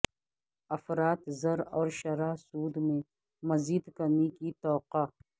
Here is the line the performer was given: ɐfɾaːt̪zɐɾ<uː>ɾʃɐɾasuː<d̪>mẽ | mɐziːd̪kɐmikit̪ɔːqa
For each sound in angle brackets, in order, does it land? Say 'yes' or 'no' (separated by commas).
no, yes